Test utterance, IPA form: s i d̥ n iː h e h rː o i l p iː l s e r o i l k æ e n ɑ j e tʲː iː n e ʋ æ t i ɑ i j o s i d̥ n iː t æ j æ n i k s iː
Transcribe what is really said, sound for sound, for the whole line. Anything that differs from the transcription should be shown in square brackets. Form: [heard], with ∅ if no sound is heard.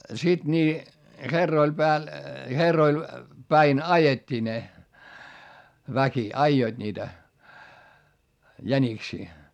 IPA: s i d̥ n iː h e [∅] rː o i l p [æː] l [h] e [rː] o i l [p] æ [i] n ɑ j e tʲː iː n e ʋ æ [k] i ɑ i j o [∅] i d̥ n iː t æ j æ n i k s iː